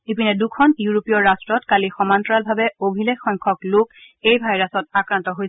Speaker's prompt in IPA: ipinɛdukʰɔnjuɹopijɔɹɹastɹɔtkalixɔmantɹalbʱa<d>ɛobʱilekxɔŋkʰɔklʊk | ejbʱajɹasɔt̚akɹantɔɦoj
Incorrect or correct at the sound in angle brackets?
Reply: incorrect: b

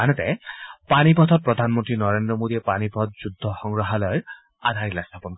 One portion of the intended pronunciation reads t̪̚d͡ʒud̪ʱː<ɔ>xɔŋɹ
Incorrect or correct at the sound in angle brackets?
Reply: correct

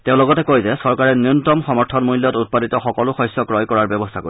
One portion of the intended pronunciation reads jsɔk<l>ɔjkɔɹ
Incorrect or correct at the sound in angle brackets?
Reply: incorrect: ɹ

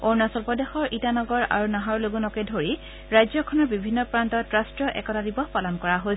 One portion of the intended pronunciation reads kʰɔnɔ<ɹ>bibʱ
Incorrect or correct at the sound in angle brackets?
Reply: correct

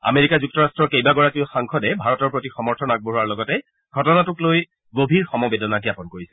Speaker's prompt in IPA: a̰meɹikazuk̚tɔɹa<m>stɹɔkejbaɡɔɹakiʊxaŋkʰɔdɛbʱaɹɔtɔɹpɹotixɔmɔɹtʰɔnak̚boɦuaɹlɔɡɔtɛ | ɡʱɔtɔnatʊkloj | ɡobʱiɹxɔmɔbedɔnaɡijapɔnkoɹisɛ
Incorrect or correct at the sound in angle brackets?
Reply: incorrect: none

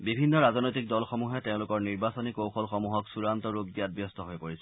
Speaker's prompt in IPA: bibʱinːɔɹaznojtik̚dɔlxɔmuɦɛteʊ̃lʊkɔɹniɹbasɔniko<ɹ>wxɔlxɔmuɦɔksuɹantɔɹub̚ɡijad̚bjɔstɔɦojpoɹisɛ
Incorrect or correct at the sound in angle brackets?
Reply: incorrect: none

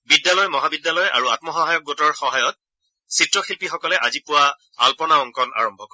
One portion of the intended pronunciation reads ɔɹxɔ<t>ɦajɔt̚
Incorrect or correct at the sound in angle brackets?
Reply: incorrect: none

